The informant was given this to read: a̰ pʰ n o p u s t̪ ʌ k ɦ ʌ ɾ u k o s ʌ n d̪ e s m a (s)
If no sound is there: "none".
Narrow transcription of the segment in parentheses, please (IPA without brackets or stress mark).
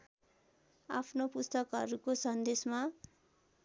none